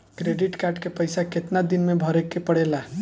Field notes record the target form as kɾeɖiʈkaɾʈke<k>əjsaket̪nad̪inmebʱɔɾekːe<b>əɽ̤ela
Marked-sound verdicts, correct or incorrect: incorrect, incorrect

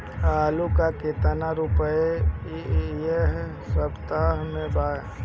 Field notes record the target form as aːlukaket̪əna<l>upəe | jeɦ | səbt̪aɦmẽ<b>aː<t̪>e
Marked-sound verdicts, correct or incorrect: incorrect, correct, incorrect

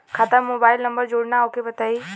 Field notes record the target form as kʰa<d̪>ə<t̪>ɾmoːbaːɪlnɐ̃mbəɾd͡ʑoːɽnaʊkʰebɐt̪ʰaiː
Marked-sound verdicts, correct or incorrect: incorrect, incorrect

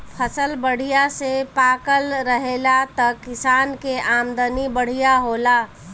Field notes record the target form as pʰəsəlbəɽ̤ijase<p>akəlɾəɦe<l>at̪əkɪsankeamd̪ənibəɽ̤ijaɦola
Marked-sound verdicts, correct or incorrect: correct, correct

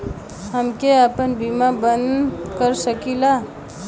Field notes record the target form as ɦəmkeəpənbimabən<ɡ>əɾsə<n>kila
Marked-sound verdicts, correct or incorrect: incorrect, incorrect

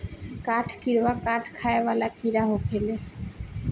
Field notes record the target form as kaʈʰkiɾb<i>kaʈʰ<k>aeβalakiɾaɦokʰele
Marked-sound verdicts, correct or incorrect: incorrect, incorrect

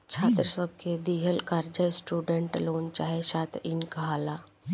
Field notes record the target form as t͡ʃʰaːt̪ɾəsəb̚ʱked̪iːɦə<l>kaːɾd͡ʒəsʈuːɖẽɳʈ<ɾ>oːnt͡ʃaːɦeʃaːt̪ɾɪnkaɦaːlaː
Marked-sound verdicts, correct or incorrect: correct, incorrect

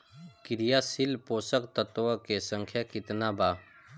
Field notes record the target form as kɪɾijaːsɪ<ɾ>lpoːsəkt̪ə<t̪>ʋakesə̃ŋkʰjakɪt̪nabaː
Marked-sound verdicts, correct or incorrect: incorrect, correct

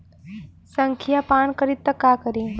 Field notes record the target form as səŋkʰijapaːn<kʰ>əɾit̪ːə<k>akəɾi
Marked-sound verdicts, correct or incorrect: incorrect, correct

